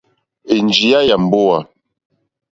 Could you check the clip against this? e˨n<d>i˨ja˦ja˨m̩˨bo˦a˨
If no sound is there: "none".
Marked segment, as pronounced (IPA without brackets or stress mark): d͡ʒ